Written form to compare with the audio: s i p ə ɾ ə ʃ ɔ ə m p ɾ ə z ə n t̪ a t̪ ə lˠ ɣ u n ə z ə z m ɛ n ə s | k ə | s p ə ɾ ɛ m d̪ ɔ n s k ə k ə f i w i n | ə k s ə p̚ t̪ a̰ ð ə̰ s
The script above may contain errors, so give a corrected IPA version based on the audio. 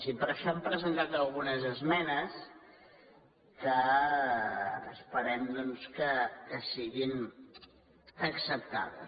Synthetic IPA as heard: s i p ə ɾ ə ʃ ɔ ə m p ɾ ə z ə n t̪ a t̪ ə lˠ ɣ u n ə z ə z m ɛ n ə s | k ə | s p ə ɾ ɛ m d̪ ɔ n s k ə k ə s i ɣ i n | ə k s ə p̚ t̪ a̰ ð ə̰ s